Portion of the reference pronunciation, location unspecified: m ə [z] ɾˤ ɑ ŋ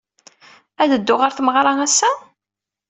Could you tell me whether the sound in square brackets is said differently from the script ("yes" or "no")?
yes